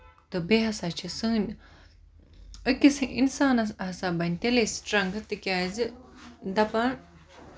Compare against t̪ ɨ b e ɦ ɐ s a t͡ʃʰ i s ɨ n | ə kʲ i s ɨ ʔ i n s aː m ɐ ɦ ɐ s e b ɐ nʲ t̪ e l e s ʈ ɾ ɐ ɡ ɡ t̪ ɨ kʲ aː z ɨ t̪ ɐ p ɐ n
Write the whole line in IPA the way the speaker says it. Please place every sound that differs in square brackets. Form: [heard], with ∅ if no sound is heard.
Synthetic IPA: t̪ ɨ b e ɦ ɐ s a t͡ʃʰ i s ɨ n | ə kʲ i s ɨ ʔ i n s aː [n] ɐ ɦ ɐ s [a] b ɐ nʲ t̪ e l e s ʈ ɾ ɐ [ŋ] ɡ t̪ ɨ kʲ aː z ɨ [d̪] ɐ p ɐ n

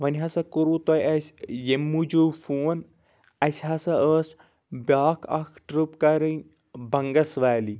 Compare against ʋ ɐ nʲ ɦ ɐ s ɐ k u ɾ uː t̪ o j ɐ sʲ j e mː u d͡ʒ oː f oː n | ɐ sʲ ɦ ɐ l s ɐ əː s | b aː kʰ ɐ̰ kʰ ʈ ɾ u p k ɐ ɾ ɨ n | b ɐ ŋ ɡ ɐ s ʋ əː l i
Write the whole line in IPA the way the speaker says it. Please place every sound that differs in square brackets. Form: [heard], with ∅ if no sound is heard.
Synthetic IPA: ʋ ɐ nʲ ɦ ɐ s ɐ k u ɾ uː t̪ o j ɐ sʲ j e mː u d͡ʒ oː f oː n | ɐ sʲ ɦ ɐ [∅] s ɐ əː s | b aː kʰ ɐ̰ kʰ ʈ ɾ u p k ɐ ɾ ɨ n | b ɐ ŋ ɡ ɐ s ʋ [aː] l i

